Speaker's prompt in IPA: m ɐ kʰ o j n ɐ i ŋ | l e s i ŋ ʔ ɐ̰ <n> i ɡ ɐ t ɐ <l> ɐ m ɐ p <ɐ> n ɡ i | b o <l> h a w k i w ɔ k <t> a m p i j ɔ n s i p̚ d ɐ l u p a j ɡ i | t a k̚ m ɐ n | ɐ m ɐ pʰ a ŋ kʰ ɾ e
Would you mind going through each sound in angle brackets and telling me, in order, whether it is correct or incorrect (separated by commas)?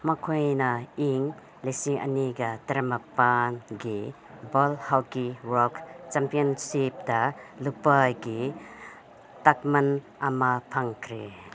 correct, incorrect, incorrect, correct, incorrect